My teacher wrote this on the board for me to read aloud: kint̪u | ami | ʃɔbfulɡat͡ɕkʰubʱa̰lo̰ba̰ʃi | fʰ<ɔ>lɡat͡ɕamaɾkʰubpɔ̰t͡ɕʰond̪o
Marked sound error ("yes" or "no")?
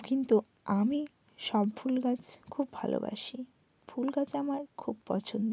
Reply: yes